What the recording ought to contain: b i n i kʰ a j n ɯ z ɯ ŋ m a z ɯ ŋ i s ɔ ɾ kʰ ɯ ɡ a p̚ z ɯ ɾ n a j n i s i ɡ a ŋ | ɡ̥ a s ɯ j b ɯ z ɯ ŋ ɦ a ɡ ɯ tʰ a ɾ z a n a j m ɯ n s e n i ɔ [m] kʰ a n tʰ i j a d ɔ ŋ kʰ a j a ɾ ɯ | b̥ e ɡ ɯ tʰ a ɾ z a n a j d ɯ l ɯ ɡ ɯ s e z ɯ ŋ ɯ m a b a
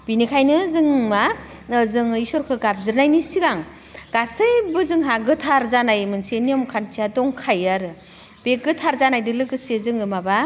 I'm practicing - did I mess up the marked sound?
no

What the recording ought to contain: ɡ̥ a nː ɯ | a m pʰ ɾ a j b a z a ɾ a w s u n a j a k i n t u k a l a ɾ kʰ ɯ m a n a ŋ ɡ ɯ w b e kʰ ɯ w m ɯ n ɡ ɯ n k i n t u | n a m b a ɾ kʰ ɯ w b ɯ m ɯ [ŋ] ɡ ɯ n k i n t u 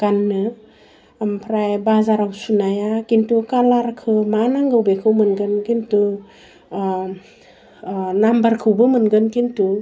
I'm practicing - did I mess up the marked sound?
yes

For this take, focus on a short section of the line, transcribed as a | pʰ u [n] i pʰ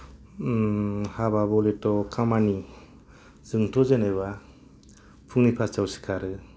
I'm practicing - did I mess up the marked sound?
no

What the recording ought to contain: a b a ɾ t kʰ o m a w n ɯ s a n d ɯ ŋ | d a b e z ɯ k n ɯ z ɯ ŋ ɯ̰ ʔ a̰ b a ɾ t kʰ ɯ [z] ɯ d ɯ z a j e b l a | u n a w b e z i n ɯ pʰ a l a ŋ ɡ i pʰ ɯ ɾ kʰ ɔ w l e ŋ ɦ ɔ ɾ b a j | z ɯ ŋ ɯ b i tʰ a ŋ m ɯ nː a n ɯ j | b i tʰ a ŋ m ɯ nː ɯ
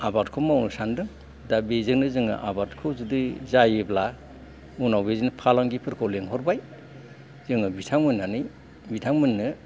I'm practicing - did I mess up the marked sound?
no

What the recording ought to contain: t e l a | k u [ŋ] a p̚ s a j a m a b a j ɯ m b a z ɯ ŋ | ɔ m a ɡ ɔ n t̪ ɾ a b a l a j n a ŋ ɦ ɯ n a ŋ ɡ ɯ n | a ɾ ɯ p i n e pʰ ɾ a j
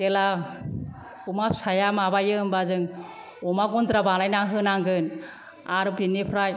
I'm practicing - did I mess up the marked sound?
yes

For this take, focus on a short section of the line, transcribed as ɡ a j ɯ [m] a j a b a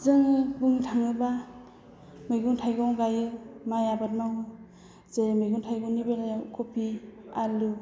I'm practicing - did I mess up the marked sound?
no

